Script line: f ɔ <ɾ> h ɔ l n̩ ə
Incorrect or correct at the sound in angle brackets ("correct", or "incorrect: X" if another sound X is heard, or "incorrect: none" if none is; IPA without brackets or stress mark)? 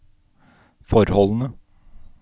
correct